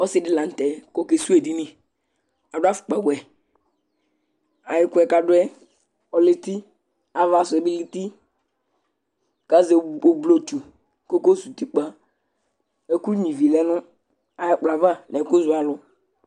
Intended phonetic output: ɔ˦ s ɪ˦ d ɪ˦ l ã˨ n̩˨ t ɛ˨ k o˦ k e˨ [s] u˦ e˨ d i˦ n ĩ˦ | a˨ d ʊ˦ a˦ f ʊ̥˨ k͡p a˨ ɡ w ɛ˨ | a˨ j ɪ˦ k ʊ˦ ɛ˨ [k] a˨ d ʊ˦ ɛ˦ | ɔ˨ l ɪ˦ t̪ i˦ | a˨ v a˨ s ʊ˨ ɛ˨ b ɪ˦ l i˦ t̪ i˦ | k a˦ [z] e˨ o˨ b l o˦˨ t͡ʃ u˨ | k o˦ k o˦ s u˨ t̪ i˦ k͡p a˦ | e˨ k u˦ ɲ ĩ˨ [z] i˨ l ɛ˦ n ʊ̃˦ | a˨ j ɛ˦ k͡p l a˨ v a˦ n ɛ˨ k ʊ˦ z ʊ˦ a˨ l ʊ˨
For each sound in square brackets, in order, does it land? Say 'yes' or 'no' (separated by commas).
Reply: yes, yes, yes, no